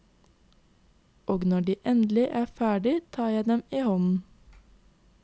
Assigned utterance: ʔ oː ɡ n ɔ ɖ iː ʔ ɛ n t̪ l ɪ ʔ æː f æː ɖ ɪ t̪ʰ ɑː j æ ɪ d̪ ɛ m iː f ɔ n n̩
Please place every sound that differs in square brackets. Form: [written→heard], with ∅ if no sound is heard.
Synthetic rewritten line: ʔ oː ɡ n ɔ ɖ iː ʔ ɛ n [t̪→d̪] l ɪ ʔ æː f æː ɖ ɪ t̪ʰ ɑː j æ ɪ d̪ ɛ m iː [f→h] ɔ n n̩

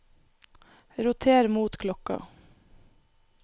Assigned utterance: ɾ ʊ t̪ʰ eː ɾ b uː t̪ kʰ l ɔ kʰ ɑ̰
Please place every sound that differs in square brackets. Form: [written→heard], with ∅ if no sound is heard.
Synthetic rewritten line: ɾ ʊ t̪ʰ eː ɾ [b→m] uː t̪ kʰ l ɔ [kʰ→k] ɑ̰

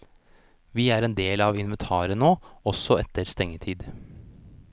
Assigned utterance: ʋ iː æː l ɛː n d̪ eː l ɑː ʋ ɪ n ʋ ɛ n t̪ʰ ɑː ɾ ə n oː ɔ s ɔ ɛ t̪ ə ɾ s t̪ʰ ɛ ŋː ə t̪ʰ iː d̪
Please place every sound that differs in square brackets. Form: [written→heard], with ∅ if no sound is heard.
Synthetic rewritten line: ʋ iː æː [l→ɾ] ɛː n d̪ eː l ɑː ʋ ɪ n ʋ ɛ n t̪ʰ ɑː ɾ ə n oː ɔ s ɔ ɛ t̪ ə ɾ s [t̪ʰ→t̪] ɛ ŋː ə t̪ʰ iː d̪

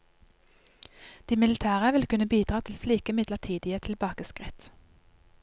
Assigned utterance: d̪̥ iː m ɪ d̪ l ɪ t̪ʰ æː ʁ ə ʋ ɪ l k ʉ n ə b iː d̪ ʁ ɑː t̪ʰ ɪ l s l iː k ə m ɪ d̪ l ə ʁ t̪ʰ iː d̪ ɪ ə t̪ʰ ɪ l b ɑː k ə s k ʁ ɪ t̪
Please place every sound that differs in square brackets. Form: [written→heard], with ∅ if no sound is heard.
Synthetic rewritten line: d̪̥ iː m ɪ [d̪→∅] l ɪ t̪ʰ æː ʁ ə ʋ ɪ l k ʉ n ə b iː d̪ ʁ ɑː t̪ʰ ɪ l s l iː k ə m ɪ d̪ l ə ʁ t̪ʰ iː d̪ ɪ ə t̪ʰ ɪ l b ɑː k ə s k ʁ ɪ t̪

